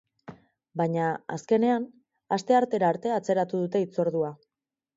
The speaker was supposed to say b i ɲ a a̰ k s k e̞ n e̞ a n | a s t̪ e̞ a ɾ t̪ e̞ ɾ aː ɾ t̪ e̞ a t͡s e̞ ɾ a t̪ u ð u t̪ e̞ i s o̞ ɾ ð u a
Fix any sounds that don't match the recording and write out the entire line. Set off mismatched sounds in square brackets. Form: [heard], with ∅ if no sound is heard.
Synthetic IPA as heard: b [a] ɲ a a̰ [∅] s k e̞ n e̞ a n | a s t̪ e̞ a ɾ t̪ e̞ ɾ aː ɾ t̪ e̞ a t͡s e̞ ɾ a t̪ u ð u t̪ e̞ i [t͡s] o̞ ɾ ð u a